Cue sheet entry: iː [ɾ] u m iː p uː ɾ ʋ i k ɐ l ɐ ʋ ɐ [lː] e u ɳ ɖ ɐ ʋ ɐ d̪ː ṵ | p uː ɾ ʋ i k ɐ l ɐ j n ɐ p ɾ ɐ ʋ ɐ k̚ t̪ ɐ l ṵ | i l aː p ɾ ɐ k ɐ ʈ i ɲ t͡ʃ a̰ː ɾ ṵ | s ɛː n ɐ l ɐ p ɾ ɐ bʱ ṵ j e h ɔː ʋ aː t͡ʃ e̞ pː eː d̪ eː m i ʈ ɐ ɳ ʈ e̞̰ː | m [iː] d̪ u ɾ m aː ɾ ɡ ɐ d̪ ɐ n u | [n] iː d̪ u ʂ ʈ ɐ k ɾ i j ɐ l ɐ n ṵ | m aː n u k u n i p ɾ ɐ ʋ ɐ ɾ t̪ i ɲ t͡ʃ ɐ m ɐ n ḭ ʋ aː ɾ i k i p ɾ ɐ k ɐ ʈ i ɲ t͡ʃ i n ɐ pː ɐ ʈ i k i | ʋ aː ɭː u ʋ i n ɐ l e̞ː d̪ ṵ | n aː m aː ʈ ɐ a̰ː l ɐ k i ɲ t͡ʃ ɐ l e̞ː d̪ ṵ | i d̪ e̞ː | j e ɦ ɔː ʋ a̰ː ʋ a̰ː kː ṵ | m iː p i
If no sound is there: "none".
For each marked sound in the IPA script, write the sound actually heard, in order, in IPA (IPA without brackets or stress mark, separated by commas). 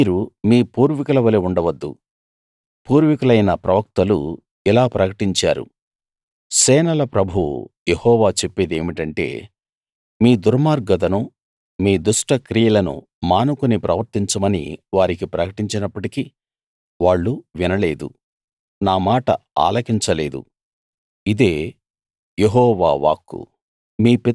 ɾ, l, iː, m